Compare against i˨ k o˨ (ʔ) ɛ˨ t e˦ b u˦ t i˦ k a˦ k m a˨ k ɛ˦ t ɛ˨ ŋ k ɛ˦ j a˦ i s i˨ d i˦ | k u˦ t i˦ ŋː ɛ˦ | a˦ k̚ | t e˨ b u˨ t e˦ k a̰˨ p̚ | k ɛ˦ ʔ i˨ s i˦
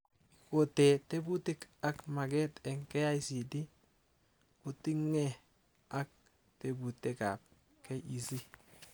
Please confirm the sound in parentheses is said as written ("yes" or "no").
no